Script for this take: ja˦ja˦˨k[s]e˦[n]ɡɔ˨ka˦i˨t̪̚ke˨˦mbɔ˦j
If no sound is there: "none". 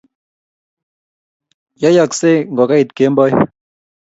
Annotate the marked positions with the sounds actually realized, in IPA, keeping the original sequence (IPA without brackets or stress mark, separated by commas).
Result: s, ŋ